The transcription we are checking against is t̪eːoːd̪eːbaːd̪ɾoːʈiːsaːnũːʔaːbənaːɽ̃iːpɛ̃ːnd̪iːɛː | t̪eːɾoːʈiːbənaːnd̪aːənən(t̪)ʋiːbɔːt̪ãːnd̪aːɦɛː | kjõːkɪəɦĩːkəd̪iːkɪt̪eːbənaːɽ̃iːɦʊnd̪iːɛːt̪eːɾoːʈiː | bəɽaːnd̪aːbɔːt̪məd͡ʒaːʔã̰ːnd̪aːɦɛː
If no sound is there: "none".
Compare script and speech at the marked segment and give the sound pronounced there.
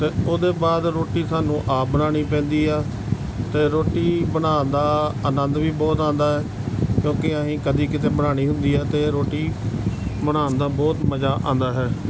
d̪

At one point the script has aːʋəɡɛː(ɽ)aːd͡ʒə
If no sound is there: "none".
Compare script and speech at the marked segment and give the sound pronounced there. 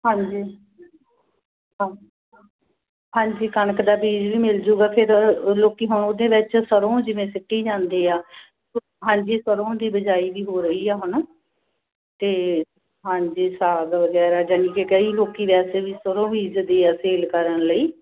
ɾ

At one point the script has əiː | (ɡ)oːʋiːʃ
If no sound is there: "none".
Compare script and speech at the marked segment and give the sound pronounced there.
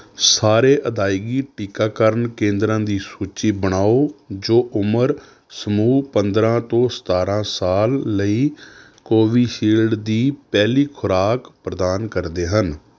k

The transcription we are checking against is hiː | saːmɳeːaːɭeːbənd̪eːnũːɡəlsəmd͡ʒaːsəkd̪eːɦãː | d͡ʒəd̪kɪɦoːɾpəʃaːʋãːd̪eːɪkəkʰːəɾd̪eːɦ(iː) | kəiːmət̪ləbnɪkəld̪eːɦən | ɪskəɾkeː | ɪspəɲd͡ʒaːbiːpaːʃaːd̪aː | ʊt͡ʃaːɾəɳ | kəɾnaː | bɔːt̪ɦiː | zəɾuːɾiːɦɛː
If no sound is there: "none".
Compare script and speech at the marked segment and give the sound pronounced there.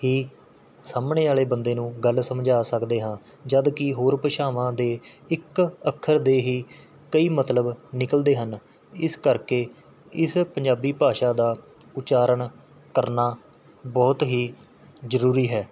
iː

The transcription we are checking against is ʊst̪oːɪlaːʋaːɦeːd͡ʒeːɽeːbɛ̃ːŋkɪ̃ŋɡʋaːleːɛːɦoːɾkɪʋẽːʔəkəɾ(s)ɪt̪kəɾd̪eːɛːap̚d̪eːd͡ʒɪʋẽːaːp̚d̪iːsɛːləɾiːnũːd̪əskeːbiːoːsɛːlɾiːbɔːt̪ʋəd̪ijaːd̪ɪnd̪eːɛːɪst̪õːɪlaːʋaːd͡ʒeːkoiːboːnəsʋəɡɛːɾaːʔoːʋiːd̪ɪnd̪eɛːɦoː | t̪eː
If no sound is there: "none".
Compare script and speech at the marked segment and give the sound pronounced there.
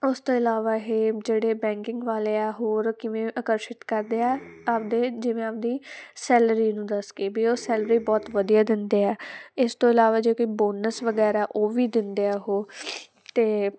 ʃ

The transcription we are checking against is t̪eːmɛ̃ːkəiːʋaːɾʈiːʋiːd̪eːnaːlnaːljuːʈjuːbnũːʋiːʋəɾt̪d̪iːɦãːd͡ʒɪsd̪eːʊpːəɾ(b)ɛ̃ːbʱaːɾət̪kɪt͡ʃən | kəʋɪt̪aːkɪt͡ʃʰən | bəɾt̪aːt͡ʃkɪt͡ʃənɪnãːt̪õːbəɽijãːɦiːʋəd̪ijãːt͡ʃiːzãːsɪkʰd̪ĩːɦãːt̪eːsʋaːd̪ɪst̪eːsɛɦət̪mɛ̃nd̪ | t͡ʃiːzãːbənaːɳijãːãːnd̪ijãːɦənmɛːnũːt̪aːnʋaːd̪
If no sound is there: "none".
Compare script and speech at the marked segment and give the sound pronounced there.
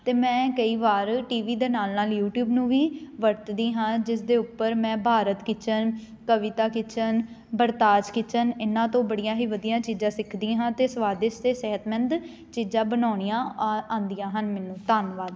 m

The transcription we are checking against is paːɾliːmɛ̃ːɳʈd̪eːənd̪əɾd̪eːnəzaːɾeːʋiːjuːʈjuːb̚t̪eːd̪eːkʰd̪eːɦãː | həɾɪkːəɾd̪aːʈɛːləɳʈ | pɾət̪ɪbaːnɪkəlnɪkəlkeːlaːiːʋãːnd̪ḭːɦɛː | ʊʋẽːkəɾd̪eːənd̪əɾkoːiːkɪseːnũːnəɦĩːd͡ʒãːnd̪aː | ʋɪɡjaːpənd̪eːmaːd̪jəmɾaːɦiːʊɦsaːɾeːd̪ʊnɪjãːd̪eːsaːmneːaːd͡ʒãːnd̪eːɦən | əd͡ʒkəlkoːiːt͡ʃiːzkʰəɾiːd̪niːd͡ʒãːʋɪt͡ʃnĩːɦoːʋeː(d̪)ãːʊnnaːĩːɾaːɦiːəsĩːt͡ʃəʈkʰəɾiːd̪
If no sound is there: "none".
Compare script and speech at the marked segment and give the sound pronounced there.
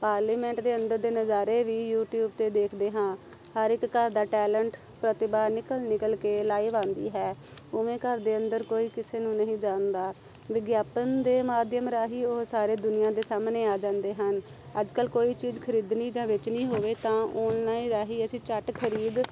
t̪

